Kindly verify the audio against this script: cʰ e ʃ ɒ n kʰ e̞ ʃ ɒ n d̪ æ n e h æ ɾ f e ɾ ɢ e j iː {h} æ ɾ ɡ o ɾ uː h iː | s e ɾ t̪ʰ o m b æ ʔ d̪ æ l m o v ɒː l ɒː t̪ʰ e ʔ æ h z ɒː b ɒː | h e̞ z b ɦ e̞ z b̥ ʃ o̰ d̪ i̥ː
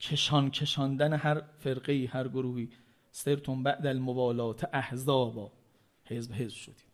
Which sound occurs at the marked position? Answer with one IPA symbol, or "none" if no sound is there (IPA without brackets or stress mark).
h